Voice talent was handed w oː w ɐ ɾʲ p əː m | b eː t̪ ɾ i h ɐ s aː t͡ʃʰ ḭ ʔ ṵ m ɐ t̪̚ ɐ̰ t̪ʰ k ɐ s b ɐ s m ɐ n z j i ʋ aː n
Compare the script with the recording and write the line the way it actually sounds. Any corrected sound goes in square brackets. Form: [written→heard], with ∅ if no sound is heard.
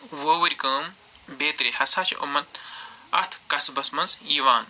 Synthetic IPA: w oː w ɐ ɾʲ [p→k] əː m | b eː t̪ ɾ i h ɐ s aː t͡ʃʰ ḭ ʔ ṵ m ɐ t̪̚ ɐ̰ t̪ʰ k ɐ s b ɐ s m ɐ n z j i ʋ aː n